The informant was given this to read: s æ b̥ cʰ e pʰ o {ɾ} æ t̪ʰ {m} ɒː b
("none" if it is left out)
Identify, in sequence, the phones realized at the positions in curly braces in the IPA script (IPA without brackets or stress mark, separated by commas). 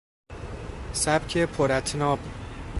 ɾ, n